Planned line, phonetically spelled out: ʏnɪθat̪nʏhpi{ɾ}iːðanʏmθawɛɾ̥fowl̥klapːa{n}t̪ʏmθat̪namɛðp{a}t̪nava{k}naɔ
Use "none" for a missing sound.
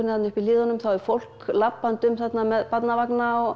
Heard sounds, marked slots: l, n, a, k

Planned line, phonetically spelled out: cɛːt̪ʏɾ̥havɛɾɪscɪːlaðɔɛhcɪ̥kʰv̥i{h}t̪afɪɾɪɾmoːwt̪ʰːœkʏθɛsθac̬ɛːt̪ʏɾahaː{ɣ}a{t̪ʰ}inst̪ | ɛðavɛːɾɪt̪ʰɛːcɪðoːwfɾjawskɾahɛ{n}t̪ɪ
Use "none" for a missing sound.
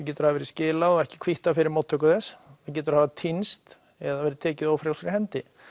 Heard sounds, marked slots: h, v, t̪ʰ, n

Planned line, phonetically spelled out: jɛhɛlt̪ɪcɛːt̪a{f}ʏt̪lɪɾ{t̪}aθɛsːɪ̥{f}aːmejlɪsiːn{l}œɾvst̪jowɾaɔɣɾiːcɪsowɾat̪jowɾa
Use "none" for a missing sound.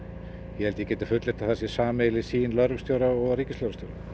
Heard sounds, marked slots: f, t̪, s, l

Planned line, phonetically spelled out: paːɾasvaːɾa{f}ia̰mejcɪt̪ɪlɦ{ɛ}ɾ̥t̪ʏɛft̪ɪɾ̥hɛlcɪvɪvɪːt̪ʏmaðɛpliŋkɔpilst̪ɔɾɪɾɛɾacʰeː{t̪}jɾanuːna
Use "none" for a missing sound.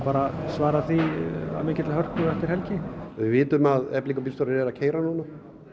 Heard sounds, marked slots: θ, œ, none

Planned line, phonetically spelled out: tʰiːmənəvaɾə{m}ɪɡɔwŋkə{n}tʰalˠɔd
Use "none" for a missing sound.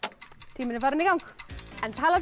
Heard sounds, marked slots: n, n

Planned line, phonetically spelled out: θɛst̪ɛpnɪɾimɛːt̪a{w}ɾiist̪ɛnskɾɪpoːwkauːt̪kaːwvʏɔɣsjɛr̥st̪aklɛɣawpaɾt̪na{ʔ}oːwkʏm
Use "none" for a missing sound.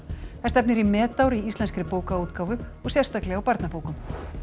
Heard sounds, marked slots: w, p

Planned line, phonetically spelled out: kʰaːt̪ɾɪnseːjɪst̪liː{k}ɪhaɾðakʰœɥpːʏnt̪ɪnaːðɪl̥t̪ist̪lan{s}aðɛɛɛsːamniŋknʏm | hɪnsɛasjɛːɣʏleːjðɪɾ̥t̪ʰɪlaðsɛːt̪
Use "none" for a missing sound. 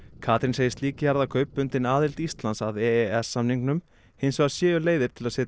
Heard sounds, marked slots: c, s

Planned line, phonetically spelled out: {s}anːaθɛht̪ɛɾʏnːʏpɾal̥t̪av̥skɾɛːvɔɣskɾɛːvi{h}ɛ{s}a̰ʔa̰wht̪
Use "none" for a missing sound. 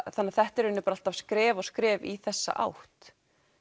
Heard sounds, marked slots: θ, θ, sː

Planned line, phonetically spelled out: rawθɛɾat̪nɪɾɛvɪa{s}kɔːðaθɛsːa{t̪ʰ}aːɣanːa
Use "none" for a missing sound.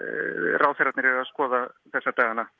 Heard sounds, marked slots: s, t̪

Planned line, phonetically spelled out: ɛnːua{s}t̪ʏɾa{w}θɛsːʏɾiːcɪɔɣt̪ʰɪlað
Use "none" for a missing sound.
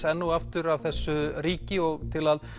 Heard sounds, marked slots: f, v

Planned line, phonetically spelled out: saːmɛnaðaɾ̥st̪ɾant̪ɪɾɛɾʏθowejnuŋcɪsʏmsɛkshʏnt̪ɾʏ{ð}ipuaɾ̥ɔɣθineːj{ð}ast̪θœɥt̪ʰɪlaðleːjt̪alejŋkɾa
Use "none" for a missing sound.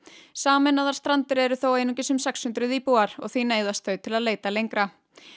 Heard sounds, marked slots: ð, ð

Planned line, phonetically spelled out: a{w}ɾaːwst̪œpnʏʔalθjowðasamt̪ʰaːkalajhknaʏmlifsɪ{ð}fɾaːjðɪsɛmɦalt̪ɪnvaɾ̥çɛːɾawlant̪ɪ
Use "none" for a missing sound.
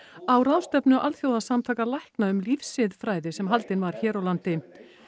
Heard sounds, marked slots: w, ð

